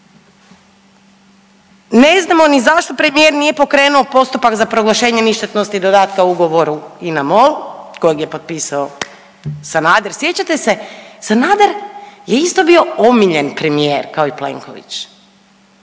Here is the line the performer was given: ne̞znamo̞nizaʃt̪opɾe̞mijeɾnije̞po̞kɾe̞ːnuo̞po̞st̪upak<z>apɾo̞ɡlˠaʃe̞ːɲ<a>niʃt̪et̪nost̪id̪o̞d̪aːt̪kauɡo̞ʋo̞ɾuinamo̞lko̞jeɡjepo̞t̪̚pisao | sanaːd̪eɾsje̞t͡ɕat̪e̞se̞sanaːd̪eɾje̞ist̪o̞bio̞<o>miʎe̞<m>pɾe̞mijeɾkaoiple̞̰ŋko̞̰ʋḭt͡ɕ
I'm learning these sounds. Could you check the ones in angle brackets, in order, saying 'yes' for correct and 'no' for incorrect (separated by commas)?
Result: yes, no, yes, no